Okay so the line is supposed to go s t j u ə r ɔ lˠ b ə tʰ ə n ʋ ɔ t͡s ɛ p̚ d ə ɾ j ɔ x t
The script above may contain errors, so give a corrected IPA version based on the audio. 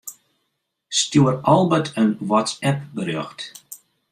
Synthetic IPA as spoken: s t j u ə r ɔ lˠ b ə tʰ ə n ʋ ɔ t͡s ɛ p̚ b ə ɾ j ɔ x t